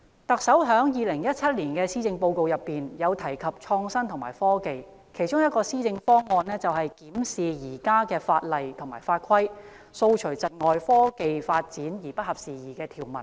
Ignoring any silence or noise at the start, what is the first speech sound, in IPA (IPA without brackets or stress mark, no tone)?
t̪